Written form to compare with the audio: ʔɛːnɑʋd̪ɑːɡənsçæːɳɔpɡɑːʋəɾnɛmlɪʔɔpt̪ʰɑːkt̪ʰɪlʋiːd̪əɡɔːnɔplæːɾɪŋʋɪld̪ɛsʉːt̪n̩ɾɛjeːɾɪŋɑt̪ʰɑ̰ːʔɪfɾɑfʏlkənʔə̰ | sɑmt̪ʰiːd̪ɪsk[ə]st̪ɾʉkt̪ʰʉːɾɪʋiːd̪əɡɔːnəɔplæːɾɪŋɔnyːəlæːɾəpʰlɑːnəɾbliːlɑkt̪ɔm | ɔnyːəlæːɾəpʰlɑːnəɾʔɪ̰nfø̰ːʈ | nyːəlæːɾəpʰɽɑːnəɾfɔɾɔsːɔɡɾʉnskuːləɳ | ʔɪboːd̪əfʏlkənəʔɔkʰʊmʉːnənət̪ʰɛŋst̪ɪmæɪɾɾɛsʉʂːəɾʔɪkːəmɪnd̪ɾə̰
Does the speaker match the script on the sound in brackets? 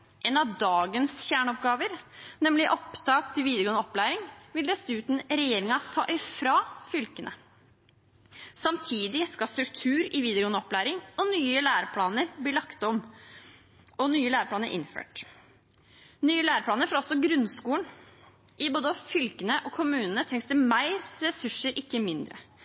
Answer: no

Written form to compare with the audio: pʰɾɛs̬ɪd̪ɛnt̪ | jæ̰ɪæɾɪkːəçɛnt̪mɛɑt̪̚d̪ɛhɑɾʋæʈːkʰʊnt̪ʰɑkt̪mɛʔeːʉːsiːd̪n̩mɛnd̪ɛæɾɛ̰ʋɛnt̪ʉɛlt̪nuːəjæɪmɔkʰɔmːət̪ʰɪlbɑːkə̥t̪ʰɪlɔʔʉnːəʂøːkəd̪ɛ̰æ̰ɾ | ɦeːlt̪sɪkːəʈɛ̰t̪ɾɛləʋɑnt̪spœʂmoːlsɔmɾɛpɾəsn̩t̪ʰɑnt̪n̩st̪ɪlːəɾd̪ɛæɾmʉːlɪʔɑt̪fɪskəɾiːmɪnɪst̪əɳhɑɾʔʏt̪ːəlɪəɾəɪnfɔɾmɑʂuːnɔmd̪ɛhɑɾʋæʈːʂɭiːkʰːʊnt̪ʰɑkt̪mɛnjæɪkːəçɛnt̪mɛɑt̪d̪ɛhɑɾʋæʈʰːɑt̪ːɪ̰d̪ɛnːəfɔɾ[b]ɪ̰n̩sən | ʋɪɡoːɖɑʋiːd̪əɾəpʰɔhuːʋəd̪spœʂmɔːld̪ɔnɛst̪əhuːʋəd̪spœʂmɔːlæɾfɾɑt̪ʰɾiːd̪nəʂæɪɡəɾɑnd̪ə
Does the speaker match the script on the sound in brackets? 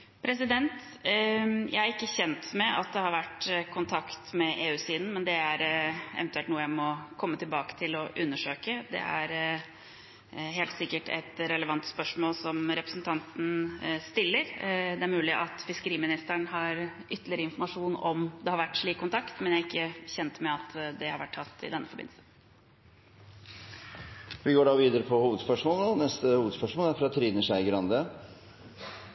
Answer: yes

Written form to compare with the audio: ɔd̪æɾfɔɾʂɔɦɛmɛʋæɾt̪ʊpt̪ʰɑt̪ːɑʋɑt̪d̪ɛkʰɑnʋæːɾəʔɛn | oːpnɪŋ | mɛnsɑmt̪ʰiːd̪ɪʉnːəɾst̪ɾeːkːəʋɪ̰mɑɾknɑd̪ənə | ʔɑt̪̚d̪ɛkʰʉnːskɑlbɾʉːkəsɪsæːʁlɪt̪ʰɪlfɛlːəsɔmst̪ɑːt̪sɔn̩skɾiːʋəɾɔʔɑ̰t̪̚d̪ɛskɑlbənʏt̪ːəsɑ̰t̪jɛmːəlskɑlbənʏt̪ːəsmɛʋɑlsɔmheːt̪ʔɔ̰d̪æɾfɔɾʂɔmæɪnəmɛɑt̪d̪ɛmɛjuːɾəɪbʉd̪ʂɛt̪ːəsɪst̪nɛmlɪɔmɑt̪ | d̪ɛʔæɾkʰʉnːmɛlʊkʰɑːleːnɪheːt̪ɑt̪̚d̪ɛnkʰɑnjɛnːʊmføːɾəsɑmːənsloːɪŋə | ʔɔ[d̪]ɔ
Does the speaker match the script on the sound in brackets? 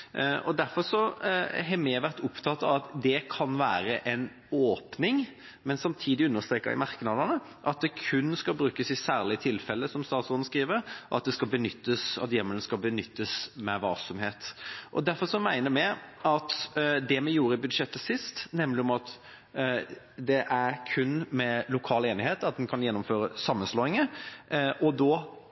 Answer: yes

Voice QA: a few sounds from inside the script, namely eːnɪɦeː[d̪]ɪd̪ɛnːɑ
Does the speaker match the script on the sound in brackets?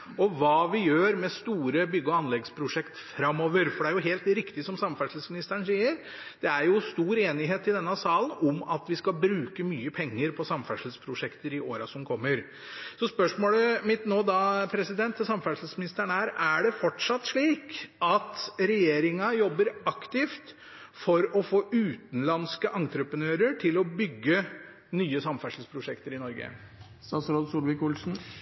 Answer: no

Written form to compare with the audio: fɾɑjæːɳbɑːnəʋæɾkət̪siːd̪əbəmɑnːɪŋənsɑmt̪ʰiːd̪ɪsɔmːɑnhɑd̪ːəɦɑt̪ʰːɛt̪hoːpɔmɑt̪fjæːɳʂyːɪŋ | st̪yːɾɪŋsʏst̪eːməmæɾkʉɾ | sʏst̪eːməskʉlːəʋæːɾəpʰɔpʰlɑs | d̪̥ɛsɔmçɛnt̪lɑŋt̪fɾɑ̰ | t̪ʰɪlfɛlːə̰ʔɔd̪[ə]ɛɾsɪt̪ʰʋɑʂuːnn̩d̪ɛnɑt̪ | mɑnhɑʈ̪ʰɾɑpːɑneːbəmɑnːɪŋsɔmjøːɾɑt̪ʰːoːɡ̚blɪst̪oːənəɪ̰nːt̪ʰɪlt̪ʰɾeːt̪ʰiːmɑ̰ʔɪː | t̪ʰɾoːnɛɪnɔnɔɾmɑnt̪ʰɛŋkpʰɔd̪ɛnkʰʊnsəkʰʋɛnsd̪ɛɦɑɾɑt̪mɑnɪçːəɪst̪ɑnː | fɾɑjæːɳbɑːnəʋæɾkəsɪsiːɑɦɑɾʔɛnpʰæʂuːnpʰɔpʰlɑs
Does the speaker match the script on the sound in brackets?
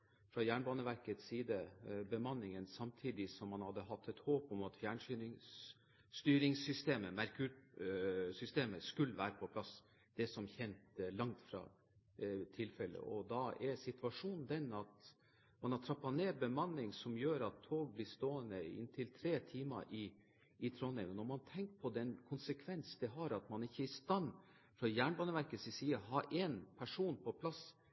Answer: no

